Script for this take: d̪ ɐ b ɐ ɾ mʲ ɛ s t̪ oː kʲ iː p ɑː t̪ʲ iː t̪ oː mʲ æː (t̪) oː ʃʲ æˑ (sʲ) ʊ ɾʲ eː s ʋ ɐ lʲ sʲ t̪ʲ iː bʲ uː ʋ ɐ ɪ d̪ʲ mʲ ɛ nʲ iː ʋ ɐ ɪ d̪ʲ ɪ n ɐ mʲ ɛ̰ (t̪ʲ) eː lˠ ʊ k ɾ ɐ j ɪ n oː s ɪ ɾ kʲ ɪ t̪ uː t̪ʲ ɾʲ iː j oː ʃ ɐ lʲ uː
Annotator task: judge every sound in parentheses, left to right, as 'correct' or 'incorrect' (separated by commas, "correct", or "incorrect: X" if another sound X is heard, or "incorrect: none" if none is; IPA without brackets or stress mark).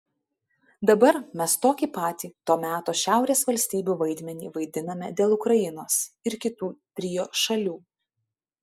correct, incorrect: none, incorrect: d̪ʲ